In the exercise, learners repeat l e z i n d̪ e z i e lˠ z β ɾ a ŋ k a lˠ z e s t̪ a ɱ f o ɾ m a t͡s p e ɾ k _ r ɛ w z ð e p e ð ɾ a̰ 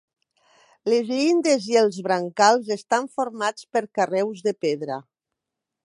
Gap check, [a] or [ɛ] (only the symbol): a